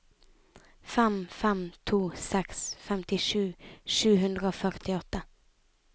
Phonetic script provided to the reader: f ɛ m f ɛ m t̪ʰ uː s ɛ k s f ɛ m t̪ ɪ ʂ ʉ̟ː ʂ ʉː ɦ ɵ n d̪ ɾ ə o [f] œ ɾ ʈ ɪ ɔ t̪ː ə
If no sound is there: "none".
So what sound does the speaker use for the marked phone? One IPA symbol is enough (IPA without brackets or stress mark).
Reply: f